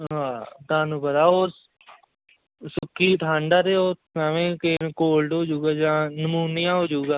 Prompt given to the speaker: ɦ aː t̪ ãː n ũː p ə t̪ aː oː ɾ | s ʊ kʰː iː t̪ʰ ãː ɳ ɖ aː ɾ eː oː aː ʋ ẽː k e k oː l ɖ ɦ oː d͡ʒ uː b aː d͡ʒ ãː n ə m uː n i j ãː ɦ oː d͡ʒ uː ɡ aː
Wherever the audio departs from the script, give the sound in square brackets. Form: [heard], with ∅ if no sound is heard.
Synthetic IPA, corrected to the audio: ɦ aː t̪ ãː n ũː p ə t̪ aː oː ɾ | s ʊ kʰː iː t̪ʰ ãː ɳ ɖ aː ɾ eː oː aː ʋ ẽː k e k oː l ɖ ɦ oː d͡ʒ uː [ɡ] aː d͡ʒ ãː n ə m uː n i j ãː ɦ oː d͡ʒ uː ɡ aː